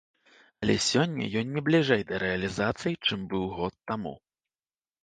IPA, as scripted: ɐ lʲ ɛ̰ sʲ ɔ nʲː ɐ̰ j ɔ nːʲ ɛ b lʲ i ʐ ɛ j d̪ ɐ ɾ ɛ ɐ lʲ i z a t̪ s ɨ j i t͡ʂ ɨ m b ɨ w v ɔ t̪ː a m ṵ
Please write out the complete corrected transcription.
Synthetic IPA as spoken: ɐ lʲ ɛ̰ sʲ ɔ nʲː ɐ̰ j ɔ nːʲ ɛ b lʲ i ʐ ɛ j d̪ ɐ ɾ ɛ ɐ lʲ i z a t̪ s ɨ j i t͡ʂ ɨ m b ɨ w ɣ ɔ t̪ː a m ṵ